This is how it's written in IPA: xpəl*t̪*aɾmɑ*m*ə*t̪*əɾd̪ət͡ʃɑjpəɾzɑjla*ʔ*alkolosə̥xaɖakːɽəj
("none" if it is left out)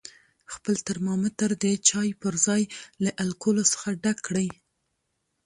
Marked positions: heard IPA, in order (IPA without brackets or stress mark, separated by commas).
t̪, m, t̪, ʔ